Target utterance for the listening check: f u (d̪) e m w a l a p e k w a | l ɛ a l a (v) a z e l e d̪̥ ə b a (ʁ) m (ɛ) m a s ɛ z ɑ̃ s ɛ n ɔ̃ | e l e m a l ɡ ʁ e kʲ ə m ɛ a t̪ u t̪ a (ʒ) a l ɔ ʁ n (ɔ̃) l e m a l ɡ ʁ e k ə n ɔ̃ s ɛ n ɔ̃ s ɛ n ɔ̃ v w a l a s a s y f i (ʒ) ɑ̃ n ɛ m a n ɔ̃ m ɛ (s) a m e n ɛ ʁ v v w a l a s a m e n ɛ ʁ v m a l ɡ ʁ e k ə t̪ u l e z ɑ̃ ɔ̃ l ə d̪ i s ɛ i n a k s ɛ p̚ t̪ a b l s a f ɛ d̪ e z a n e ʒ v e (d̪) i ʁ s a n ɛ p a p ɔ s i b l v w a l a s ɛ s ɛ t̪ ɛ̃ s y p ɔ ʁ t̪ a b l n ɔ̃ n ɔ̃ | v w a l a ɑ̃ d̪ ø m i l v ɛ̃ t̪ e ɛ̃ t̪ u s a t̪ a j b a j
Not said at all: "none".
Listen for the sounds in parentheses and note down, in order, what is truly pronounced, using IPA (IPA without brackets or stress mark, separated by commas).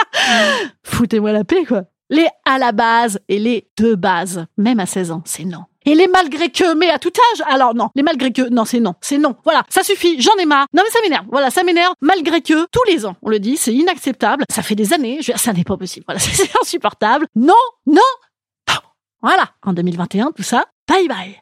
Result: t̪, b, z, ɛ, ʒ, ɔ̃, ʒ, s, d̪